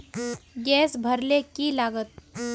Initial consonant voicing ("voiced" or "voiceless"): voiced